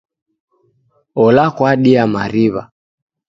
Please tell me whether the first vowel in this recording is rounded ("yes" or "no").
yes